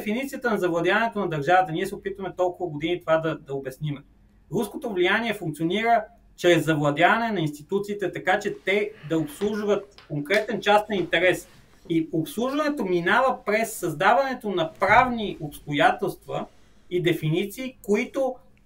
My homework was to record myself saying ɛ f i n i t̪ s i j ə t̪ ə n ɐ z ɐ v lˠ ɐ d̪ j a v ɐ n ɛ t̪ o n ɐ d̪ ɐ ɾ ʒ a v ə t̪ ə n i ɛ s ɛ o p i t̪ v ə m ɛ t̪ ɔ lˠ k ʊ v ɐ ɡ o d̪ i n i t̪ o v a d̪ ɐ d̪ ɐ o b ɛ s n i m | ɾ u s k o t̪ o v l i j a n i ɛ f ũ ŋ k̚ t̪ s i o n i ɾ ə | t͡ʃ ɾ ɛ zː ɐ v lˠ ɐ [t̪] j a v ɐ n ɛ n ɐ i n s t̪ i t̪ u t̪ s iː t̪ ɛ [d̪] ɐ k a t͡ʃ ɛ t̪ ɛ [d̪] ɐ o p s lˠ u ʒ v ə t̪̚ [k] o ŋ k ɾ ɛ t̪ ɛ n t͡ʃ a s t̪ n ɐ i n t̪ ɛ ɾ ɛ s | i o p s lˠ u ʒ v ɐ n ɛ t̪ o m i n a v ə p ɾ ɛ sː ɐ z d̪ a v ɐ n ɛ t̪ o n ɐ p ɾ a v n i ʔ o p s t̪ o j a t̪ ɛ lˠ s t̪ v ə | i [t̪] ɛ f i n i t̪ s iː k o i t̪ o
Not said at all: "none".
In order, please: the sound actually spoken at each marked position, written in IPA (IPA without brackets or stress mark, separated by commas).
d̪, t̪, d̪, k, d̪